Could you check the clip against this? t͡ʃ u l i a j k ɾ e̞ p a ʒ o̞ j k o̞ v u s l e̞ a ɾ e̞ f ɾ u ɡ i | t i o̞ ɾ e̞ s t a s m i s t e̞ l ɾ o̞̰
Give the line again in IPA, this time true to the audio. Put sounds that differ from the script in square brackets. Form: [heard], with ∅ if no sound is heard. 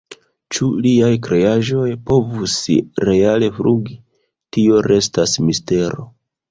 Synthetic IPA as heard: t͡ʃ u l i a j k ɾ e̞ [∅] a ʒ o̞ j [p] o̞ v u s [ɾ] e̞ a [l] e̞ f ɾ u ɡ i | t i o̞ ɾ e̞ s t a s m i s t e̞ [∅] ɾ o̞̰